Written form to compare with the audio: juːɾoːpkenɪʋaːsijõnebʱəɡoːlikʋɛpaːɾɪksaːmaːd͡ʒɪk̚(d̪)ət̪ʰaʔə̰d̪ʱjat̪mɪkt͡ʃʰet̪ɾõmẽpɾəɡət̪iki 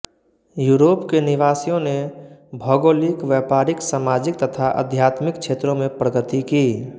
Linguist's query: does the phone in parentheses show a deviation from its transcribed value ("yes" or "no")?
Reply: yes